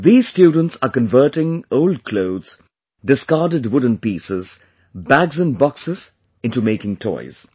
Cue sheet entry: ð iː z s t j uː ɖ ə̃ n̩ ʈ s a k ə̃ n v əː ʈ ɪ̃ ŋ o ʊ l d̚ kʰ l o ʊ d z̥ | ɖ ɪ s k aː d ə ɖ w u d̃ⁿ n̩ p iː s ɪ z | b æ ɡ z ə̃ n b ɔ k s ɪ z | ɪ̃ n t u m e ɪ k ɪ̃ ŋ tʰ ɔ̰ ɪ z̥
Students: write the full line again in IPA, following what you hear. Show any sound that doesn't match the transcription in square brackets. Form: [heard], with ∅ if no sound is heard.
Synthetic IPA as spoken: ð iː z s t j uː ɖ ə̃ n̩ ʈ s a k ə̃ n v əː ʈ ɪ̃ ŋ o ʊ l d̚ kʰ l o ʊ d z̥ | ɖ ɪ s k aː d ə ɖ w [ʊ] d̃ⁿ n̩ p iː s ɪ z | b æ ɡ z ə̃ n b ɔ k s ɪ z | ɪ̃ n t u m e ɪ k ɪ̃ ŋ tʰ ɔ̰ ɪ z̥